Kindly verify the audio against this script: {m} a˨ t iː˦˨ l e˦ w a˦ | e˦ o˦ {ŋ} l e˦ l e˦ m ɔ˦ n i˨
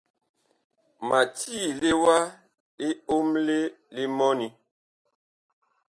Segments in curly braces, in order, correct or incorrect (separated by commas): correct, incorrect